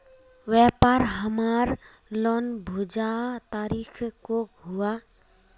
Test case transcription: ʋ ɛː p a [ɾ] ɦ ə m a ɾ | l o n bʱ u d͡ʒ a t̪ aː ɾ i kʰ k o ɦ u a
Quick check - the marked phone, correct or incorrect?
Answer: correct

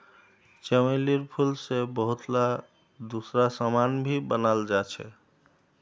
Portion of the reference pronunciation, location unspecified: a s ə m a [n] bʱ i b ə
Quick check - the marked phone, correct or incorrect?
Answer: correct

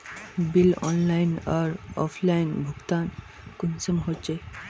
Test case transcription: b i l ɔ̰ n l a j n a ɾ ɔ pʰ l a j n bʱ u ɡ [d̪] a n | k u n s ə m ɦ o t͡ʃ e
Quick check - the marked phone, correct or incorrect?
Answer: incorrect: t̪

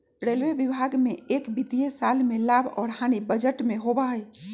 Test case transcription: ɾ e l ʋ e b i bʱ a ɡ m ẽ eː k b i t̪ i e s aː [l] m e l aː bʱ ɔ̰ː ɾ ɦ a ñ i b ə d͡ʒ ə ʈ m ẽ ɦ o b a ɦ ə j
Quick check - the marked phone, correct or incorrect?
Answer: correct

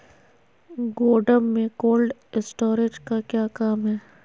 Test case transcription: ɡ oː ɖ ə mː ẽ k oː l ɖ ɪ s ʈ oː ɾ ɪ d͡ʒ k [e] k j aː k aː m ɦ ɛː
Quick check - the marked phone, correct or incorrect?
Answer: incorrect: a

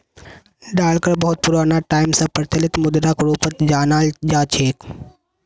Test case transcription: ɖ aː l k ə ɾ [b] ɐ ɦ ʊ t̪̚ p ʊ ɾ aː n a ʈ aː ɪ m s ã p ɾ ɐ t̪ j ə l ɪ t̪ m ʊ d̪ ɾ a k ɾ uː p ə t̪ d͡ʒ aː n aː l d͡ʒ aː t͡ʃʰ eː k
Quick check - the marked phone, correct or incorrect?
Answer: correct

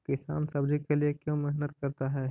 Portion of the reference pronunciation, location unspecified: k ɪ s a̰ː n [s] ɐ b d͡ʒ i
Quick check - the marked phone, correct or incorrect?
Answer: correct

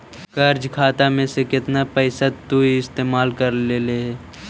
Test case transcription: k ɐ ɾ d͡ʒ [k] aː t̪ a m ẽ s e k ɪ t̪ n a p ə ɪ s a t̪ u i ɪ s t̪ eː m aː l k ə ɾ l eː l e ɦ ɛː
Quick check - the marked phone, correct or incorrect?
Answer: incorrect: kʰ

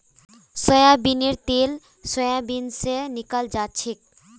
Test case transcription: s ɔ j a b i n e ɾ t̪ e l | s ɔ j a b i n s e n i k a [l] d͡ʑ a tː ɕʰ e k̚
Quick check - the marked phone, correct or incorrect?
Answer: correct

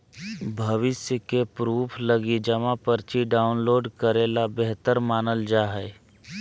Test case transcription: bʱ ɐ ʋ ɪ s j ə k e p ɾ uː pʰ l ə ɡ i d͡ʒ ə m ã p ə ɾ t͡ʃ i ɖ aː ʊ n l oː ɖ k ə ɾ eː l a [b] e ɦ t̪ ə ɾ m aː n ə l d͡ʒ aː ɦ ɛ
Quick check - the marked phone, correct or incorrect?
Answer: correct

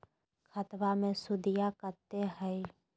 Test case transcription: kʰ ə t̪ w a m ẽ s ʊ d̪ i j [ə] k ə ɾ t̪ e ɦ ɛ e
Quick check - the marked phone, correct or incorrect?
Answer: incorrect: a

